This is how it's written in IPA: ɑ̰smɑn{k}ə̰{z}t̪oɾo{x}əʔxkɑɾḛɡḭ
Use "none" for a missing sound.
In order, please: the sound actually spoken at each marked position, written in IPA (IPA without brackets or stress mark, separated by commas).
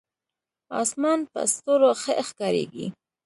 p, s, x